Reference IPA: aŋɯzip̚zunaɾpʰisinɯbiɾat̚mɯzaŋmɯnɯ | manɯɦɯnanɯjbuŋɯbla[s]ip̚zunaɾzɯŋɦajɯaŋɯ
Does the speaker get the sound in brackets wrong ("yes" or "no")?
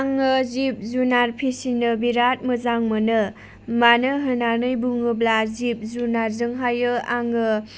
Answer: yes